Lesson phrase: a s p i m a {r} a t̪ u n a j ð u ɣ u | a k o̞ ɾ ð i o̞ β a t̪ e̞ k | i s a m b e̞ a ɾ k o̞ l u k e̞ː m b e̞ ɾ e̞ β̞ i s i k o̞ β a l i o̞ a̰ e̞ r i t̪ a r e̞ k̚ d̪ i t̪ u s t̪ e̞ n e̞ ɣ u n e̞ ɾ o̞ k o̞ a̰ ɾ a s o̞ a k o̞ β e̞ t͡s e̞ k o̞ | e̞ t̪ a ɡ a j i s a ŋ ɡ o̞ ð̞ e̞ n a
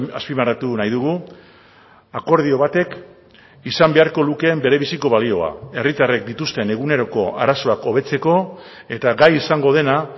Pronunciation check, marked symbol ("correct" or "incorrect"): incorrect